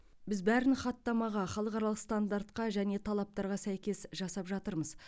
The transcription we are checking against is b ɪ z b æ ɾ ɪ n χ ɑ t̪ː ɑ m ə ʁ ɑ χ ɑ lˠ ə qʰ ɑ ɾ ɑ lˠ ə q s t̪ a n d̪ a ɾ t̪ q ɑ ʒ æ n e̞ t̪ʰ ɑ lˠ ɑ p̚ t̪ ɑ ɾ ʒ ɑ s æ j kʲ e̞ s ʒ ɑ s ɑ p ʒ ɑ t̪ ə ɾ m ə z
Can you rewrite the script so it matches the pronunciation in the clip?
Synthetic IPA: b ɪ z b æ ɾ ɪ n χ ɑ t̪ː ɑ m ɑ ʁ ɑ χ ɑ lˠ ə q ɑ ɾ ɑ lˠ ə q s t̪ a n d̪ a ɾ t̪ q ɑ ʒ æ n e̞ t̪ʰ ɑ lˠ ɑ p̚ t̪ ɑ ɾ ʁ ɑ s æ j kʲ e̞ s ʒ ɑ s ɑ p ʒ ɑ t̪ ə ɾ m ə z